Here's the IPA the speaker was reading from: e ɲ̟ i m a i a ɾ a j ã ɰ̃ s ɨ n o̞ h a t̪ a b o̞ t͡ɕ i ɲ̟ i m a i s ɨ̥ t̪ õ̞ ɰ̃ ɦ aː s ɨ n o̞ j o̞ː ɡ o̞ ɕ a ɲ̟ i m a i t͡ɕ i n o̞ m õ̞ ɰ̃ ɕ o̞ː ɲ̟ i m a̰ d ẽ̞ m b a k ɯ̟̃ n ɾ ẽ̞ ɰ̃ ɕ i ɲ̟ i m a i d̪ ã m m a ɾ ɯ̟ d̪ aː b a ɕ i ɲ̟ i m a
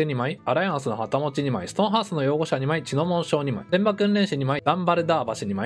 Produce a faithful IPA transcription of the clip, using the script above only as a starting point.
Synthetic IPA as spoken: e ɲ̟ i m a i a ɾ a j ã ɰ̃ s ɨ n o̞ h a t̪ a m o̞ t͡ɕ i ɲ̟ i m a i s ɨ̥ t̪ õ̞ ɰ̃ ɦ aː s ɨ n o̞ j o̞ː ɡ o̞ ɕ a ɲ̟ i m a i t͡ɕ i n o̞ m õ̞ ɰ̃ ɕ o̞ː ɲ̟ i m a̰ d ẽ̞ m b a k ɯ̟̃ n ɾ ẽ̞ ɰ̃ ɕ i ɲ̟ i m a i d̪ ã m b a ɾ ɯ̟ d̪ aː b a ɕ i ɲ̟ i m a